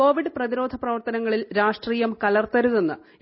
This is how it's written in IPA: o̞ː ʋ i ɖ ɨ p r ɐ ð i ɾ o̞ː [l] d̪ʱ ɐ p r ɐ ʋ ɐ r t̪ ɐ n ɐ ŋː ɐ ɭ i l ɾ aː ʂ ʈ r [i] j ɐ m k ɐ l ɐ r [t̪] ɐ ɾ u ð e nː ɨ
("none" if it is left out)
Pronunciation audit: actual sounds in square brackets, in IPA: none, iː, t̪

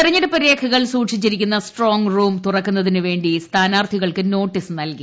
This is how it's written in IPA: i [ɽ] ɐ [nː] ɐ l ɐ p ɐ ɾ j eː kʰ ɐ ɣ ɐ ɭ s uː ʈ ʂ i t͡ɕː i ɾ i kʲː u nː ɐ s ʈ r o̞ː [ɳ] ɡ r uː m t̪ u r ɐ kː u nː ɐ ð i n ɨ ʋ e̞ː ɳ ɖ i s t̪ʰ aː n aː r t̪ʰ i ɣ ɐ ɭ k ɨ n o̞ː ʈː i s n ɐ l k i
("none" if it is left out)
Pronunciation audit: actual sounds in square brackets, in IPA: r, ɲː, ŋ

